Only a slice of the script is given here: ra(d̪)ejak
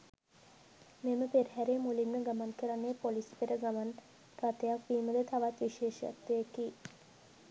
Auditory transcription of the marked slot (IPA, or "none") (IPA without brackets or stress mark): t̪